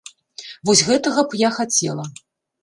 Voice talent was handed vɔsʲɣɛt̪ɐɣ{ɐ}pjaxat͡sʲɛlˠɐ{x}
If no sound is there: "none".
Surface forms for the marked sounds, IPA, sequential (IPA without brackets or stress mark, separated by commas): ɐ, none